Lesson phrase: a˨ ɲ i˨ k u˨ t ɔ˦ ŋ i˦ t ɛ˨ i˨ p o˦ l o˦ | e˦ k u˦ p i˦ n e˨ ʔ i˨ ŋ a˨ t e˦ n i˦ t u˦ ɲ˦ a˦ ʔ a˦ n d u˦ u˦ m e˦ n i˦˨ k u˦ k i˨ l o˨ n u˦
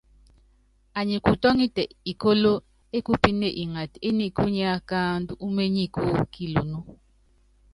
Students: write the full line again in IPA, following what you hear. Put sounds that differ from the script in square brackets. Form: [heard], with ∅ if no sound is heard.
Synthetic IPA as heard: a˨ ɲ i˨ k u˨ t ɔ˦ ŋ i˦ t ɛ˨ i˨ [k] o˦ l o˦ | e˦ k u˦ p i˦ n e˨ ʔ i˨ ŋ a˨ t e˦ n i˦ [k] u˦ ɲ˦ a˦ [k] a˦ n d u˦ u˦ m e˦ [ɲ] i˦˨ k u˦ k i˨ l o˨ n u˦